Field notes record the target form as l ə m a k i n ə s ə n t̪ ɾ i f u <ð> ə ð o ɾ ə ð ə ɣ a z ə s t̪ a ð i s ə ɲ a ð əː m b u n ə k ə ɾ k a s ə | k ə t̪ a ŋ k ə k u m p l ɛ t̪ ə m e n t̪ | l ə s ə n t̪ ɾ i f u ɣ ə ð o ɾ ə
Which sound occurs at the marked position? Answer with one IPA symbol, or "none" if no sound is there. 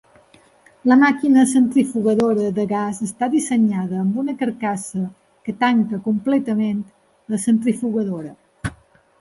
ɣ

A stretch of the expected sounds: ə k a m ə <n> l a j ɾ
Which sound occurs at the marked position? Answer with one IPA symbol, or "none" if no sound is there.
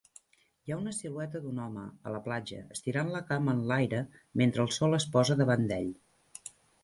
n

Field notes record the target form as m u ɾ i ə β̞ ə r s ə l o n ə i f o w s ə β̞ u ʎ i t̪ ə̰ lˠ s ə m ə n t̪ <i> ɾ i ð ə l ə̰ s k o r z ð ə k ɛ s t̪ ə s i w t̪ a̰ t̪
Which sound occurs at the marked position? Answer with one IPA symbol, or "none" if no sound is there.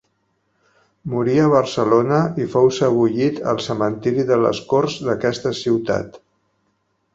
i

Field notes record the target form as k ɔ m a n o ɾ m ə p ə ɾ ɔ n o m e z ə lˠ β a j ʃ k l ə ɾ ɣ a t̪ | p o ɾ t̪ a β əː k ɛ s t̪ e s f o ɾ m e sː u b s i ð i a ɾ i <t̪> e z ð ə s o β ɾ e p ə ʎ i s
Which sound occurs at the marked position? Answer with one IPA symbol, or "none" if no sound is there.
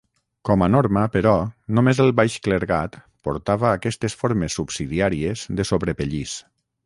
none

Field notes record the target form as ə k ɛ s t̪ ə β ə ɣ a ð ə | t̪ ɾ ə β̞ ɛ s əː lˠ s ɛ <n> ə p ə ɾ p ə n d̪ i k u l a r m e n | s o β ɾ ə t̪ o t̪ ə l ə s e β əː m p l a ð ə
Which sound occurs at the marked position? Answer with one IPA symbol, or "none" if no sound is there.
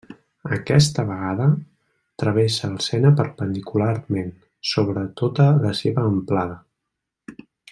n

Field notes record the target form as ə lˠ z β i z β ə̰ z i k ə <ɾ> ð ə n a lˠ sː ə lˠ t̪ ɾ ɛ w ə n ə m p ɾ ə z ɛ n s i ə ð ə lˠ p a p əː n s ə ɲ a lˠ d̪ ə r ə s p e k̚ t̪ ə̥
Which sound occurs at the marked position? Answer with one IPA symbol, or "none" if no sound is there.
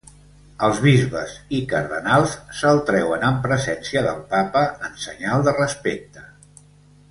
ɾ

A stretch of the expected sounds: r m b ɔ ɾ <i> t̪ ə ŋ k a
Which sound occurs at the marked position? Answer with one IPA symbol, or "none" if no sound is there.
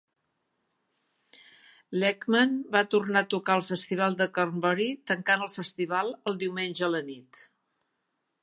i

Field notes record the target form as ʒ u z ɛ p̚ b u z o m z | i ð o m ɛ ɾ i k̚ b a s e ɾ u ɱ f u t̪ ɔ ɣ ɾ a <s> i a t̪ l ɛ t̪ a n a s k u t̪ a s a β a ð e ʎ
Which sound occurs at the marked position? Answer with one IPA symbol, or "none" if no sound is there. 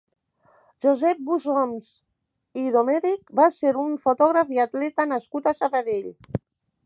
f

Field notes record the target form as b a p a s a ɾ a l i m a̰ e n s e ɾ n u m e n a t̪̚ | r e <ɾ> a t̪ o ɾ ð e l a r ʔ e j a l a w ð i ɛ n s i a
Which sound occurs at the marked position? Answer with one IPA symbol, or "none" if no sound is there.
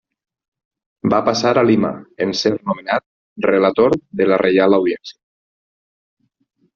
l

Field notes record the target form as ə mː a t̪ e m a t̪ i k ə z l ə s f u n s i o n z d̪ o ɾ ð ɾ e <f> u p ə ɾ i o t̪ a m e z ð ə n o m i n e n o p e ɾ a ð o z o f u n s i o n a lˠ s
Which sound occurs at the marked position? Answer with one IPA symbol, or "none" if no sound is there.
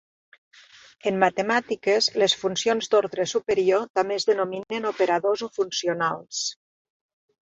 s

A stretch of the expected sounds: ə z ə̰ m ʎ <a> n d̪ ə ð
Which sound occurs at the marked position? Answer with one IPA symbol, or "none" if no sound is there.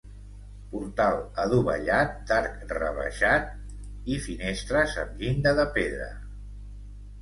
i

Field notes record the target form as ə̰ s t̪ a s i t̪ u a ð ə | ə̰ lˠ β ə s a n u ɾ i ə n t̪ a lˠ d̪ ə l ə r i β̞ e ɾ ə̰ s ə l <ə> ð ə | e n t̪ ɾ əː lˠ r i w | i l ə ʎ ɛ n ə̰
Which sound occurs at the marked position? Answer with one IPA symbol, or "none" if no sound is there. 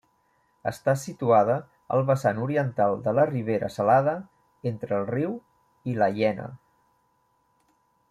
a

